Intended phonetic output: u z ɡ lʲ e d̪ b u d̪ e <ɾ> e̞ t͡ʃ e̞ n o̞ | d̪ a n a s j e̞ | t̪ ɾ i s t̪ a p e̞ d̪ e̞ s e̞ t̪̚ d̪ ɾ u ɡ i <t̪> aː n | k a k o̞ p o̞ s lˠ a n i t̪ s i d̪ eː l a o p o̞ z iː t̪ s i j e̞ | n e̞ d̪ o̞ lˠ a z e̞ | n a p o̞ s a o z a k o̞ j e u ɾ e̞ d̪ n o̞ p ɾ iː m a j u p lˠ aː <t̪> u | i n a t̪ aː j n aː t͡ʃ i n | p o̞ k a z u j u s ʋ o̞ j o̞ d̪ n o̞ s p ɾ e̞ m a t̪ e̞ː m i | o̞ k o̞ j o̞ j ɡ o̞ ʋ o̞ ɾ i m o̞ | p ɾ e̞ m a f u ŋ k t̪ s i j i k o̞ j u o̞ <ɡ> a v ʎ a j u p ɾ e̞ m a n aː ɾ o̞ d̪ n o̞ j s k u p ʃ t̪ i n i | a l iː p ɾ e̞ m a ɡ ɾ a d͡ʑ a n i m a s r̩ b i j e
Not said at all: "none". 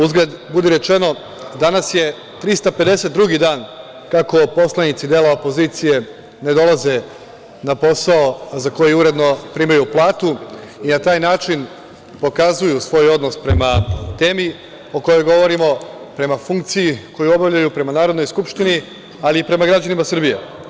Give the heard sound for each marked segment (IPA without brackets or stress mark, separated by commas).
ɾ, d̪, t̪, b